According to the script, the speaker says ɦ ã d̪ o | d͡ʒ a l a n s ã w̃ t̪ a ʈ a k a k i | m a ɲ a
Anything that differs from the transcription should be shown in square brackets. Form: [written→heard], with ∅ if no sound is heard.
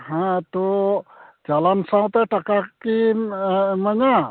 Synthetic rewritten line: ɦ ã [d̪→t̪] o | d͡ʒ a l a n s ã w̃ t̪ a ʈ a k a k i | m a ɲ a